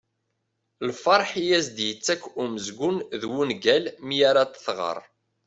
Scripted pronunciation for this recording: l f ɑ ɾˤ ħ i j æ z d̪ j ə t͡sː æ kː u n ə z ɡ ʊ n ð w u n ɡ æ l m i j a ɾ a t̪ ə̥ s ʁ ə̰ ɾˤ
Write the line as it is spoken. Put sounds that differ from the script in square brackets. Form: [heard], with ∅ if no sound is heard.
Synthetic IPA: l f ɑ ɾˤ ħ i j æ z d̪ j ə t͡sː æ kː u [m] ə z ɡ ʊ n ð w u n ɡ æ l m i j a ɾ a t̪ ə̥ [θ] ʁ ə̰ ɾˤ